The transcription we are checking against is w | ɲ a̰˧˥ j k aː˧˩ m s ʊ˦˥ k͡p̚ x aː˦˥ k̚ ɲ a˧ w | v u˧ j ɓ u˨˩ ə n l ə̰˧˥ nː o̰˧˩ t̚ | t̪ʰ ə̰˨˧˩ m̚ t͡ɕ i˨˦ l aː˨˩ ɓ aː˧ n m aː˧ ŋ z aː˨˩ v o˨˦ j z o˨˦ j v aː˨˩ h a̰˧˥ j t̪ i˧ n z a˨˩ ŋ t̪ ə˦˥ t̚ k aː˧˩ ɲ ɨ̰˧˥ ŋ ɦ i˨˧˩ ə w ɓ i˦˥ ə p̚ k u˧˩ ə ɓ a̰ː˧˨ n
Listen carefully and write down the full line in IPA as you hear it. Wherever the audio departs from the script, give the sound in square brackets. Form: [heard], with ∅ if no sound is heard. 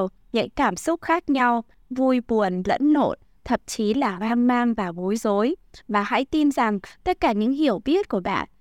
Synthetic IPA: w | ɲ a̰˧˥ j k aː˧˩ m s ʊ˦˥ k͡p̚ x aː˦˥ k̚ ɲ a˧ w | v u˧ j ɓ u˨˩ ə n l ə̰˧˥ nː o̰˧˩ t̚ | t̪ʰ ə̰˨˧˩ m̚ t͡ɕ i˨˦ l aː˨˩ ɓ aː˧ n m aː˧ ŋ [v] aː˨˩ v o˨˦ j z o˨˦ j v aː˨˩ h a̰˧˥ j t̪ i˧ n z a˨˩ ŋ t̪ ə˦˥ t̚ k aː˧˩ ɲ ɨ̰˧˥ ŋ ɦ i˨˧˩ ə w ɓ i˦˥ ə [t̚] k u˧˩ ə ɓ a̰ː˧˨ n